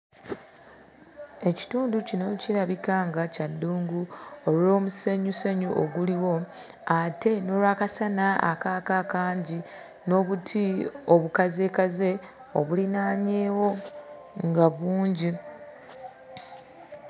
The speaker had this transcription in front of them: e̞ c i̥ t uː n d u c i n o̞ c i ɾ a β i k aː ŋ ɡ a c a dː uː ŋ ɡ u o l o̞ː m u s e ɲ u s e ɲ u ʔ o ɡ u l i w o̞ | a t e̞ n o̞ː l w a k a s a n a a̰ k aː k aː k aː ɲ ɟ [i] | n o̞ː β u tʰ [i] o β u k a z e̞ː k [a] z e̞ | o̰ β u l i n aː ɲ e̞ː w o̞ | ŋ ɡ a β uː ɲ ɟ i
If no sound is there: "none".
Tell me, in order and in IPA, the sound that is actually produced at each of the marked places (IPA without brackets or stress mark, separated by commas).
i, i, a